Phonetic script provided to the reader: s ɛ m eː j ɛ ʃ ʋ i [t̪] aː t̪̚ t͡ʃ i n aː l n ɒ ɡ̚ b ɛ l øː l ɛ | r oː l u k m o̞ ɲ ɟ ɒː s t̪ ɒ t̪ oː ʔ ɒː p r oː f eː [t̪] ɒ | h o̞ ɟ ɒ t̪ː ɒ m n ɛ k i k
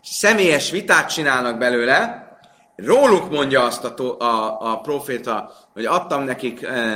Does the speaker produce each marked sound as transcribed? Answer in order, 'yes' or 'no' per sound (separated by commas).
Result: yes, yes